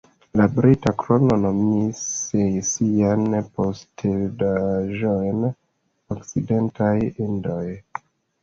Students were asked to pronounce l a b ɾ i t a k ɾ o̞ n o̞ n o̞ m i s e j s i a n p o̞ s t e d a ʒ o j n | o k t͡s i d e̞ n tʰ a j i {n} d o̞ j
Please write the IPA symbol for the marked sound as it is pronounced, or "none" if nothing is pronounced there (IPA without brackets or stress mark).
n